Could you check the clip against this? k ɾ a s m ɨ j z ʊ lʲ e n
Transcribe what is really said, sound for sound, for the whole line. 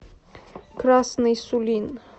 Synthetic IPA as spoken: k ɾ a s n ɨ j s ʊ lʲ i n